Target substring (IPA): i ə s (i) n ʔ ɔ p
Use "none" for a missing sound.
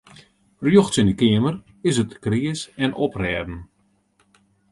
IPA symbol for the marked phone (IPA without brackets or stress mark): ɛ